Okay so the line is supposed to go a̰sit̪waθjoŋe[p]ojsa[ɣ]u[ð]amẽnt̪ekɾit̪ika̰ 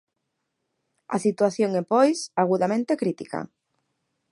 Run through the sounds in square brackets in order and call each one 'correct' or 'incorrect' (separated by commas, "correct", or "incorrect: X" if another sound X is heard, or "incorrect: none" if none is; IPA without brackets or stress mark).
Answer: correct, correct, correct